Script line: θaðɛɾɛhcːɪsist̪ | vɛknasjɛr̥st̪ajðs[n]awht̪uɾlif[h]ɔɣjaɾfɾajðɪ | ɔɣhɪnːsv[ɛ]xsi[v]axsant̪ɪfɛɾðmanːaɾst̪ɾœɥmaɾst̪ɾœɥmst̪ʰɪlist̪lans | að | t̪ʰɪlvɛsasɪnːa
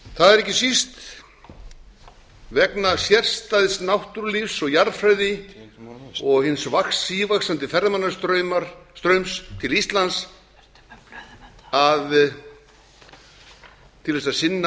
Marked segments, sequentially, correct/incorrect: correct, incorrect, incorrect, correct

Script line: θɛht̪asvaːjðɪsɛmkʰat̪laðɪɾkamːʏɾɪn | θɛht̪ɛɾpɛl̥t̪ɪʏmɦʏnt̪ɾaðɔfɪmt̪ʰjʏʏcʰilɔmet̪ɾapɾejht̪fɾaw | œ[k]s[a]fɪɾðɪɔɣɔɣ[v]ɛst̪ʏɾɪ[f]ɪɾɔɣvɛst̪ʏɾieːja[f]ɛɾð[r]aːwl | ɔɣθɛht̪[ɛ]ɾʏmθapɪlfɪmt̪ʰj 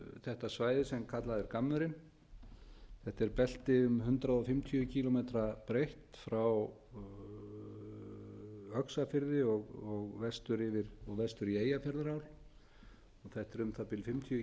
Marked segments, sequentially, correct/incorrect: correct, correct, correct, incorrect, correct, incorrect, correct

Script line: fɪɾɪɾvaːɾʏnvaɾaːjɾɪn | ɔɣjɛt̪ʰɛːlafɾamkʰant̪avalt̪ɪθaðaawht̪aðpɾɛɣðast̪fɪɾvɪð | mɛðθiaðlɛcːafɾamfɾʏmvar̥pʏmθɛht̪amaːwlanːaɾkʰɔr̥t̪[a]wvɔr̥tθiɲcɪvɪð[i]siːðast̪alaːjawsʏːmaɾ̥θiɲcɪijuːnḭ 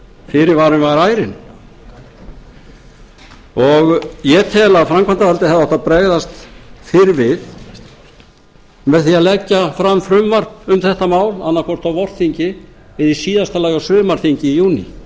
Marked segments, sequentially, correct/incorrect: correct, correct

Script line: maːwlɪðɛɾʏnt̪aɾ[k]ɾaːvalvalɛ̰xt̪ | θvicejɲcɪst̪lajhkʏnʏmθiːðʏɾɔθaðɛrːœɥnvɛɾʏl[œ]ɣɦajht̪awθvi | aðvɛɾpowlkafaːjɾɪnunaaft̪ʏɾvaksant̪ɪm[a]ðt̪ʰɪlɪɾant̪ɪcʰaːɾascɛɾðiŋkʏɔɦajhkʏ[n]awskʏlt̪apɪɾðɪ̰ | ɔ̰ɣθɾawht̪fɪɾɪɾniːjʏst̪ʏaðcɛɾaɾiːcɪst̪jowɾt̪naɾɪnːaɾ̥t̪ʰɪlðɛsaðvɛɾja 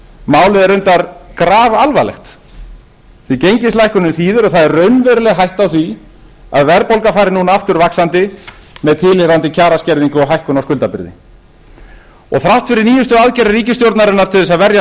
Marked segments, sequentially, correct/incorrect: correct, incorrect, incorrect, correct

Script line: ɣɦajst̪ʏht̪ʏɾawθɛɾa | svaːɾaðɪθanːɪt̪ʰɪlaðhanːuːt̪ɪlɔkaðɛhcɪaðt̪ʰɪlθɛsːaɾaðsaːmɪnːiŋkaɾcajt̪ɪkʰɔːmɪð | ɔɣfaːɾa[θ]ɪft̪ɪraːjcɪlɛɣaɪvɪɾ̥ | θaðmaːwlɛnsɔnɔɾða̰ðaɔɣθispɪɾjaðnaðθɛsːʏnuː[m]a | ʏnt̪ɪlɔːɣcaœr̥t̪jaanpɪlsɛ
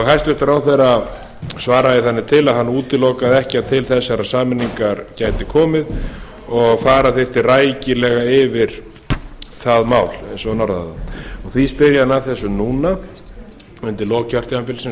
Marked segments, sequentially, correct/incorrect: correct, incorrect

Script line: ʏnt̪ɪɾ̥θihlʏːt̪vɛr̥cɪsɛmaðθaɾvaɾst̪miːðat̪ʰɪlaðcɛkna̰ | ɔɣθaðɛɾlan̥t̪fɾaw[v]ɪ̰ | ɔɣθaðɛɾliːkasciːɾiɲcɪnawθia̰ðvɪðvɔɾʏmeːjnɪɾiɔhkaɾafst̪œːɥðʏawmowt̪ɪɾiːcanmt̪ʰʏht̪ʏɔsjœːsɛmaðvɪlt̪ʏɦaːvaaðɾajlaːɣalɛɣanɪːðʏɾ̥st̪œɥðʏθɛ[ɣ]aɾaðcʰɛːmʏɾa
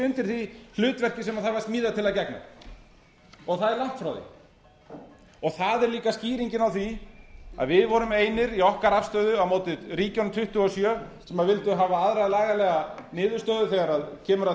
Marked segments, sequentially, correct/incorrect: incorrect, correct

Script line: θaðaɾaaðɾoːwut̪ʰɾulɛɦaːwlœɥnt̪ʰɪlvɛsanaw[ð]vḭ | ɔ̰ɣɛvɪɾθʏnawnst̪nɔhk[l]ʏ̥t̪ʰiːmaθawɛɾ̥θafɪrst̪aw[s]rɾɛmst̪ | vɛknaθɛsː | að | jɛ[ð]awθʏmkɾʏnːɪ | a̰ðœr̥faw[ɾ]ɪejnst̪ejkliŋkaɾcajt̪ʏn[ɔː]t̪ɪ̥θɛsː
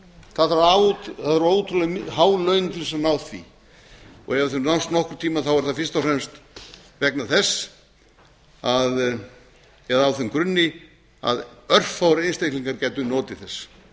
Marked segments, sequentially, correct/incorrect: incorrect, incorrect, incorrect, correct, correct, correct

